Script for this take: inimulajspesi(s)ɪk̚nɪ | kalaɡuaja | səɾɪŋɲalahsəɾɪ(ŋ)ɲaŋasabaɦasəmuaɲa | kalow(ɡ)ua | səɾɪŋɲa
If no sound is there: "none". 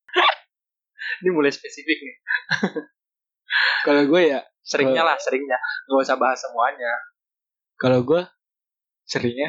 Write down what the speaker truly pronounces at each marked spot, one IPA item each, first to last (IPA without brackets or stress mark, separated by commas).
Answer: f, ŋ, ɡ